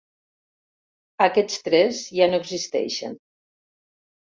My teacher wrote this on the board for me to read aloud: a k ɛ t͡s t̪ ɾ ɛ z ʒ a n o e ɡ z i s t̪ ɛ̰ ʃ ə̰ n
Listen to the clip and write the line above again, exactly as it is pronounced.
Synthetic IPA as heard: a k ɛ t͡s t̪ ɾ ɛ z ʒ a n o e ɡ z i s t̪ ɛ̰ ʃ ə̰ n